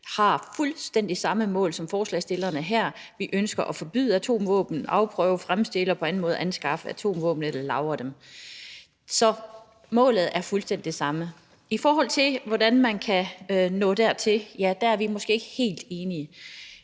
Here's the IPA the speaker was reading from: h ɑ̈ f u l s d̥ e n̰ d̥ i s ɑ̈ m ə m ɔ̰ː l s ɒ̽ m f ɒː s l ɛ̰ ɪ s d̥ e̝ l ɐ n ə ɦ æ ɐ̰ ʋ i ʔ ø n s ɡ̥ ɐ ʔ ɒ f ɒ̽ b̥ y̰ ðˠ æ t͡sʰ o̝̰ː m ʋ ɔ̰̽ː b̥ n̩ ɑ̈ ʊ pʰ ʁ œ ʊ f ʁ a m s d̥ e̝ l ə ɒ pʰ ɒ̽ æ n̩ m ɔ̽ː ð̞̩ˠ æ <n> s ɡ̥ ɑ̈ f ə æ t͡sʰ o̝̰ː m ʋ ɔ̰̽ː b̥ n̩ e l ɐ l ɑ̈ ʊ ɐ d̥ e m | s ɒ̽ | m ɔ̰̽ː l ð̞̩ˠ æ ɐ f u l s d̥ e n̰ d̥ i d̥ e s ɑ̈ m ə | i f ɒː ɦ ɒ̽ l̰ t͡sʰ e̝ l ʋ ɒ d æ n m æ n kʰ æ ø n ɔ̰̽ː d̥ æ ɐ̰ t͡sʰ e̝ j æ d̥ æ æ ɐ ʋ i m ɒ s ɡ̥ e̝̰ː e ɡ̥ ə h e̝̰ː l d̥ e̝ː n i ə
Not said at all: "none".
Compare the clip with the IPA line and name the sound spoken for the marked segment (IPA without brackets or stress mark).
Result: n